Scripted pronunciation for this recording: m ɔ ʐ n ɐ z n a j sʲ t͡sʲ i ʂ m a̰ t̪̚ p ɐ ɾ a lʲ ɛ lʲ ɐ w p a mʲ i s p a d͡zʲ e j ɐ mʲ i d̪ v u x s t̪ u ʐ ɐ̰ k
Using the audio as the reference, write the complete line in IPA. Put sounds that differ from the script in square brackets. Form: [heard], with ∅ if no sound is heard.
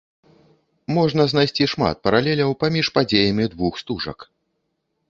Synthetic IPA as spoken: m ɔ ʐ n ɐ z n a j sʲ t͡sʲ i ʂ m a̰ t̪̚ p ɐ ɾ a lʲ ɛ lʲ ɐ w p a mʲ i [ʂ] p a d͡zʲ e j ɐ mʲ i d̪ v u x s t̪ u ʐ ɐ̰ k